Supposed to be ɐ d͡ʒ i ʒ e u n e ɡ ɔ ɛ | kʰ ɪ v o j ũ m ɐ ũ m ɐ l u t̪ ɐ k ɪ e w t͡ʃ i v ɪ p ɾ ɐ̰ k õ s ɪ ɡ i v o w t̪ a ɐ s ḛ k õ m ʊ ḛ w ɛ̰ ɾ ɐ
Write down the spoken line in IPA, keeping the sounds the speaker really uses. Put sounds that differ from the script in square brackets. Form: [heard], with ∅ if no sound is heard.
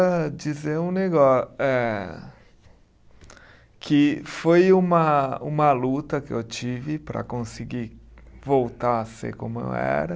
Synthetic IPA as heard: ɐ d͡ʒ i [z] e [ũ] n e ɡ ɔ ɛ | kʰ ɪ [f] o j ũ m ɐ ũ m ɐ l u t̪ ɐ k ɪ e w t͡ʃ i v ɪ p ɾ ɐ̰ k õ s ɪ ɡ i v o w t̪ a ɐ s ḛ k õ m ʊ ḛ w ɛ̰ ɾ ɐ